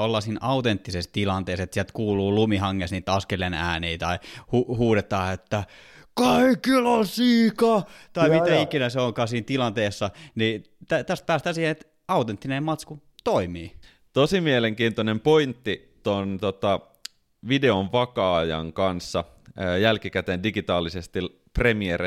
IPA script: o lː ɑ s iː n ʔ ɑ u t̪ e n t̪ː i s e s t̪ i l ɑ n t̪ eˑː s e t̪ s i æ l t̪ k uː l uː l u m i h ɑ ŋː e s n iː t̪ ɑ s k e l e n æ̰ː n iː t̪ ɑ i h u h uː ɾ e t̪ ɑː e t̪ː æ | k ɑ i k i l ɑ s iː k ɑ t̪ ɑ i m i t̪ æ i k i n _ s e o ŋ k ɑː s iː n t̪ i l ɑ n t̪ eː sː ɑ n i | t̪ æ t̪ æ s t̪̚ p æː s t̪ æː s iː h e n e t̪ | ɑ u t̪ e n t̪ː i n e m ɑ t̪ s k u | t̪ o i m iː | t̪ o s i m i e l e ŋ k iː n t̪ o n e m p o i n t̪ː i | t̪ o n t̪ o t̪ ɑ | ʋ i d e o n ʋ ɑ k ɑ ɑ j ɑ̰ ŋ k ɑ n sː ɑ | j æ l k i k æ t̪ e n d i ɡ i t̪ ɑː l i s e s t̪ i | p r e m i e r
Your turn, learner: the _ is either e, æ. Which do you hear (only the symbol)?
æ